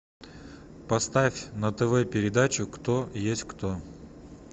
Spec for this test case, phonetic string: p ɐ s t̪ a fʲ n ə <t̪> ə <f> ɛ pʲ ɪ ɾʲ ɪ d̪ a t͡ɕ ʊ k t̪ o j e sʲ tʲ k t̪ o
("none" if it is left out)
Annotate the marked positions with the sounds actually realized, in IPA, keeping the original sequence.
t̪, v

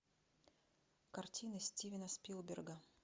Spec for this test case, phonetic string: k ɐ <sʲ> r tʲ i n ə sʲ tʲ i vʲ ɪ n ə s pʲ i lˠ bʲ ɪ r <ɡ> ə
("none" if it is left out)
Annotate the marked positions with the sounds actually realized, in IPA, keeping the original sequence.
none, ɡ

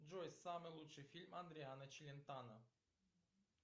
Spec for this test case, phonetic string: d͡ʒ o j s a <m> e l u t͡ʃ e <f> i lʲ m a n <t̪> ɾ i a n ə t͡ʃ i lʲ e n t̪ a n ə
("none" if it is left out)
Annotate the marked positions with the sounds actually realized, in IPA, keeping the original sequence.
m, f, d̪

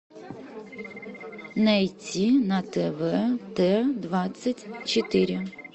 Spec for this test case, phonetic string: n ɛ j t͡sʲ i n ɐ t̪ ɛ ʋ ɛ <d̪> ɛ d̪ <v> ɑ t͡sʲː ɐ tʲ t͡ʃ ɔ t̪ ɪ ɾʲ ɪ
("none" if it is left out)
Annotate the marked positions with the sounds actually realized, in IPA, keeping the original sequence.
t̪, ʋ

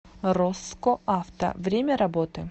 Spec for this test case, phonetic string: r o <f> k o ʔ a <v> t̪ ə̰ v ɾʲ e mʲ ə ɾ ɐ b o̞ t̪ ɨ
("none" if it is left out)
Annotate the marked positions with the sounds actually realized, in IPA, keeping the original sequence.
s, f

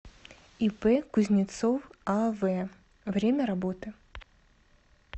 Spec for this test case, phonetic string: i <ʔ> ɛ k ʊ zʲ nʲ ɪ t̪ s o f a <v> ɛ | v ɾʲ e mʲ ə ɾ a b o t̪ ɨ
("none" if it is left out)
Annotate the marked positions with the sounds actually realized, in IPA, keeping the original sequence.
p, v

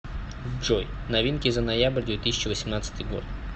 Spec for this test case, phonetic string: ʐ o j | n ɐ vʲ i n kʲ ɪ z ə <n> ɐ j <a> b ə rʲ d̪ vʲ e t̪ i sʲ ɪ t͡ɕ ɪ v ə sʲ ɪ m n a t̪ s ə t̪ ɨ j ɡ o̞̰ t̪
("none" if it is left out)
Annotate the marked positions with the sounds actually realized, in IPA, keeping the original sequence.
n, a

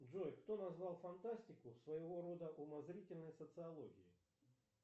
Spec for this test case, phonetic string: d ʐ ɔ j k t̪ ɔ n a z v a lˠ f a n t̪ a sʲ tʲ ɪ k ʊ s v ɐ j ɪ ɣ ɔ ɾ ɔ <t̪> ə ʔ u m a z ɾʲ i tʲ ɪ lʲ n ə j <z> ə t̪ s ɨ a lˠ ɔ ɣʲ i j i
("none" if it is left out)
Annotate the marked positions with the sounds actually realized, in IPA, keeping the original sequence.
d̪, s

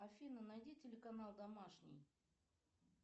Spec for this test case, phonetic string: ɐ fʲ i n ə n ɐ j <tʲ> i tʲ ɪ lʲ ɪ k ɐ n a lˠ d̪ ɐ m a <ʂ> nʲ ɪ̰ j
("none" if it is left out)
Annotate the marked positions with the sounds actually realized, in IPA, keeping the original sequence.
dʲ, ʂ

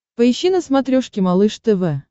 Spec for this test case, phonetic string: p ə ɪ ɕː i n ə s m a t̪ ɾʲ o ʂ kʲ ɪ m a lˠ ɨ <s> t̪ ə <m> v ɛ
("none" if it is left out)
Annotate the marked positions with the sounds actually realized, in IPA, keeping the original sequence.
ʂ, none

